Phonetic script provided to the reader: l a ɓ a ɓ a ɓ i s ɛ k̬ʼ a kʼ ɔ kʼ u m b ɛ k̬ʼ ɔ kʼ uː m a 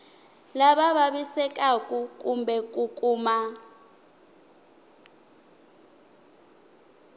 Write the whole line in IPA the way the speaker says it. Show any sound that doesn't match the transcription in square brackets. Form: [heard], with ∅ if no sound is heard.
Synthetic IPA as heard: l a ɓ a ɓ a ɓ i s ɛ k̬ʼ a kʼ [u] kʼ u m b ɛ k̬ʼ [u] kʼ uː m a